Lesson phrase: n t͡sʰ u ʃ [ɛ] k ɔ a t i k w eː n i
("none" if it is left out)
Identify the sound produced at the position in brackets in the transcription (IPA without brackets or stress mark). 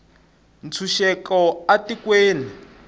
ɛ